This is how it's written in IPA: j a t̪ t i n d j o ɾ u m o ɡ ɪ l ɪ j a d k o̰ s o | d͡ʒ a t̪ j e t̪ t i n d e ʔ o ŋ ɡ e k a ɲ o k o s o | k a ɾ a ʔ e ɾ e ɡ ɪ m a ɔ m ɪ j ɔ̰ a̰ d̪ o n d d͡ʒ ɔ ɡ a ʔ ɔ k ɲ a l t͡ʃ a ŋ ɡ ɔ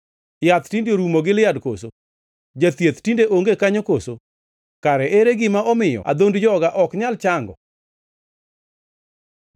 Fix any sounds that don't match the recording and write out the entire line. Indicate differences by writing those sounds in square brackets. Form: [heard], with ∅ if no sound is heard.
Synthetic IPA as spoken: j a t̪ t i n d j o ɾ u m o ɡ ɪ l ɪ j a d k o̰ s o | d͡ʒ a t̪ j e t̪ t i n d e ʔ o ŋ ɡ e k a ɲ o k o s o | k a ɾ [ɛ] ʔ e ɾ e ɡ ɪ m a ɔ m ɪ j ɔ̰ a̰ d̪ o n d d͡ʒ ɔ ɡ a ʔ ɔ k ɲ a l t͡ʃ a ŋ ɡ ɔ